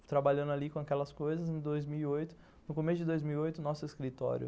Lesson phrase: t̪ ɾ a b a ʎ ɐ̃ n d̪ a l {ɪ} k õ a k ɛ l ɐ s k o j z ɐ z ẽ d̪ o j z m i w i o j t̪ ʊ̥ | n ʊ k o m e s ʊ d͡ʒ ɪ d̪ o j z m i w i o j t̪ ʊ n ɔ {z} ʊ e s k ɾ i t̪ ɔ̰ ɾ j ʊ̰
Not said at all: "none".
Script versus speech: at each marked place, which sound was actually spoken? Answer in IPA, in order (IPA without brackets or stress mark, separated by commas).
i, s